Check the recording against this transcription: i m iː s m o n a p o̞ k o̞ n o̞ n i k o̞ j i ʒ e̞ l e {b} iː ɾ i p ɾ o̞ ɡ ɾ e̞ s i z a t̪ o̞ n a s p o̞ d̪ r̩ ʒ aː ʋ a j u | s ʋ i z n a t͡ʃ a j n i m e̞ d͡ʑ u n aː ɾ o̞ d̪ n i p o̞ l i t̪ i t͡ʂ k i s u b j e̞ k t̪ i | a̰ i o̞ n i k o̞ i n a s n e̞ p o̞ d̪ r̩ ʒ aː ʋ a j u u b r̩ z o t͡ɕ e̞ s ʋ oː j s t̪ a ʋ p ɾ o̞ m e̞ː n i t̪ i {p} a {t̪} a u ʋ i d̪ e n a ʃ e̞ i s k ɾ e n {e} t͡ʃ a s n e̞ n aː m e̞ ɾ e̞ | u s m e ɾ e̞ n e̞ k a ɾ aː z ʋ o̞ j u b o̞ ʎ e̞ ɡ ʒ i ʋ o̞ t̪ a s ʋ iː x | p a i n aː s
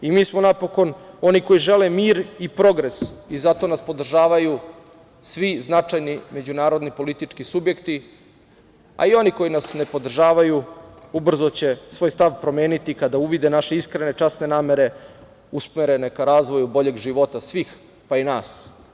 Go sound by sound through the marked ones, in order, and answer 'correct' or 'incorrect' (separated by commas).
incorrect, incorrect, incorrect, correct